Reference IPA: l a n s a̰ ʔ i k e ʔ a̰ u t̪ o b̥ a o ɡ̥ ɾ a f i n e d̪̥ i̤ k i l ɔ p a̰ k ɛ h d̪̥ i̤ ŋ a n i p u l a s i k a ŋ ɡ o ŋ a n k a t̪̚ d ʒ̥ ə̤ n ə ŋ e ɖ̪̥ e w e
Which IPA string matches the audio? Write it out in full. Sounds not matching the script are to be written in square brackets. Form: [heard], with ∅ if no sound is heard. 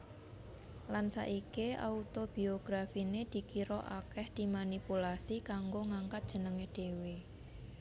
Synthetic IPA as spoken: l a n s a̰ ʔ i k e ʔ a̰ u t̪ o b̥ [i] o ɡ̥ ɾ a f i n e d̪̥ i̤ k i [ɾ] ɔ [ʔ] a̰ k ɛ h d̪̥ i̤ [m] a n i p u l a s i k a ŋ ɡ o ŋ a [ŋ] k a t̪̚ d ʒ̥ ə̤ n ə ŋ e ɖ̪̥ e w e